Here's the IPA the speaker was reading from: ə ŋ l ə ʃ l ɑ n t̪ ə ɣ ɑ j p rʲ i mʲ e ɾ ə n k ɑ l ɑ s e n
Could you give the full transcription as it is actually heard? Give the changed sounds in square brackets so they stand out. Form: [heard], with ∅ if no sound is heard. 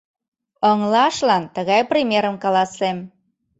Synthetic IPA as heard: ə ŋ l [ɑ] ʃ l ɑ n t̪ ə ɣ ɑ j p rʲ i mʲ e ɾ ə [m] k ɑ l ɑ s e [m]

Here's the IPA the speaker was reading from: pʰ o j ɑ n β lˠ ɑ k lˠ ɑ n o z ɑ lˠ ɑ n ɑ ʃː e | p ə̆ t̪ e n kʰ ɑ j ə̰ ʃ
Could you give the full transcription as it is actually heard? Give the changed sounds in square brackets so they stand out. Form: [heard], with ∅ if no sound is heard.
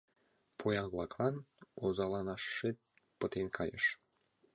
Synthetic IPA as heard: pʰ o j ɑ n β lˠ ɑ k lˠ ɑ n o z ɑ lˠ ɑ n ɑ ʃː e | p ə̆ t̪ e n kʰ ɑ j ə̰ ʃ

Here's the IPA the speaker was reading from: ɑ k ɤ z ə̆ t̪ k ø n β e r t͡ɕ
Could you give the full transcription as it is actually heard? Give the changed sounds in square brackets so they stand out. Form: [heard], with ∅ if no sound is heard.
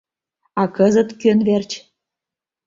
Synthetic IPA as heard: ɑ k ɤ z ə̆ t̪ k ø n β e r t͡ɕ

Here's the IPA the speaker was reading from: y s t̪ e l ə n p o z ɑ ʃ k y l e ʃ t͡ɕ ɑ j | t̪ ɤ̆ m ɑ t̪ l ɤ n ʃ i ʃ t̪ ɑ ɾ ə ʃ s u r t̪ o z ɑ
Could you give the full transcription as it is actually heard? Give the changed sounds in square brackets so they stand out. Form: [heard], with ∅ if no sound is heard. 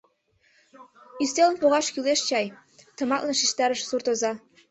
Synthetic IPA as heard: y s t̪ e l ə n p o [ɣ] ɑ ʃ k y l e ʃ t͡ɕ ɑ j | t̪ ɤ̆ m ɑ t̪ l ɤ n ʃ i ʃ t̪ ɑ ɾ ə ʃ s u r t̪ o z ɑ

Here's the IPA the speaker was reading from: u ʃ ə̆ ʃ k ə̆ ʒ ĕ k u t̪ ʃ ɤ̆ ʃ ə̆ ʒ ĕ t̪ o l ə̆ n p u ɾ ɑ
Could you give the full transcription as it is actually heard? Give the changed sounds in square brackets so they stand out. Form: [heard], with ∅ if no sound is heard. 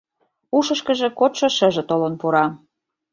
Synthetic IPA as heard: u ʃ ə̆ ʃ k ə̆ ʒ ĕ k [o] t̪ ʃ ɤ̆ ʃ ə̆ ʒ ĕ t̪ o l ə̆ n p u ɾ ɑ

